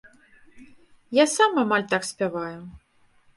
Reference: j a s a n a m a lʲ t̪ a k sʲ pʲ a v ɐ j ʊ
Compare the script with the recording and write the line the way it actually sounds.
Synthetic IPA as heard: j a s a m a m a lʲ t̪ a k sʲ pʲ a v a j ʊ